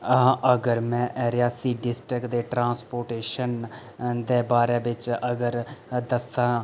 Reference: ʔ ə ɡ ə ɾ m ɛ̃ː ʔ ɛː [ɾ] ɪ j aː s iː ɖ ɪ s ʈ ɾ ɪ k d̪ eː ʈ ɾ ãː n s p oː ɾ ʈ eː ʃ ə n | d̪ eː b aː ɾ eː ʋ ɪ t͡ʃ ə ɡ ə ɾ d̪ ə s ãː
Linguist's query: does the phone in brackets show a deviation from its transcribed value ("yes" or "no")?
no